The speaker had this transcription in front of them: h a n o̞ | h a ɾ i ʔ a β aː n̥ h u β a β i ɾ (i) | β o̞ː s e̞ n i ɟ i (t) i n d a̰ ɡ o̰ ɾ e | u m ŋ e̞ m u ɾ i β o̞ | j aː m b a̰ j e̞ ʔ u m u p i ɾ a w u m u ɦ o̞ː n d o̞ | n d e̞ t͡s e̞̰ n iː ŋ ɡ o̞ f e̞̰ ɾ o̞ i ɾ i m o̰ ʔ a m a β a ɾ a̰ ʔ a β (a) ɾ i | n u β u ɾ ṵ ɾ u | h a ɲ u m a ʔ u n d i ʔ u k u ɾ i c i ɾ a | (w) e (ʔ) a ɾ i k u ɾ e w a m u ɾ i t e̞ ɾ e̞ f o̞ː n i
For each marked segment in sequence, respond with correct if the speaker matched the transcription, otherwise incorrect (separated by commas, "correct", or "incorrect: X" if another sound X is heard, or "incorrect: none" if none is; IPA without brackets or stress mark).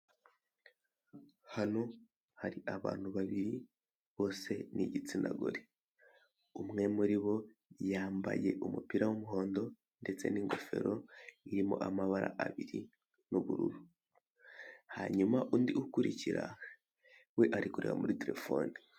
correct, incorrect: t͡s, incorrect: i, correct, correct